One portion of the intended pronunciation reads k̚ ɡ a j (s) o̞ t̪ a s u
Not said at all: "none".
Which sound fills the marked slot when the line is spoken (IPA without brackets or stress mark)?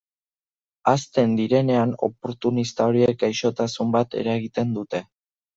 ʃ